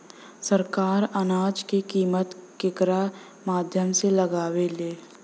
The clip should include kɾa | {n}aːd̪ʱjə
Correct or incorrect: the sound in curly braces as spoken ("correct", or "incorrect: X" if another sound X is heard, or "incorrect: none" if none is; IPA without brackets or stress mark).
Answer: incorrect: m